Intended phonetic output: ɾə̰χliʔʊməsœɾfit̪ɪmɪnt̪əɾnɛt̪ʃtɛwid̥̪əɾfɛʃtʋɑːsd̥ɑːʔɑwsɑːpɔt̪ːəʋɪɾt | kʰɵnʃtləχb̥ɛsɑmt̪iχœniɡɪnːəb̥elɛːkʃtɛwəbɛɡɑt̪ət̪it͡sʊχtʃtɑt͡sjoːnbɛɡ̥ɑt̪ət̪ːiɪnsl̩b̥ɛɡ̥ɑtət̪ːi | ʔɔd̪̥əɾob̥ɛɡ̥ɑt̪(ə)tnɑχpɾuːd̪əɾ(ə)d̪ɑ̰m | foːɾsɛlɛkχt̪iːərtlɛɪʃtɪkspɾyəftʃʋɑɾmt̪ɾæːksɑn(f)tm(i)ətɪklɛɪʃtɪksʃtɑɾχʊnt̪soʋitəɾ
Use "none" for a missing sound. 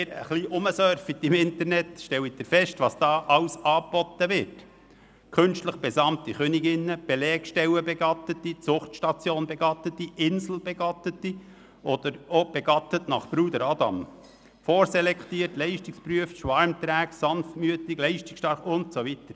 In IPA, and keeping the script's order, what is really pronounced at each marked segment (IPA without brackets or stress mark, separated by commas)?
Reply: ə, ɑ, f, y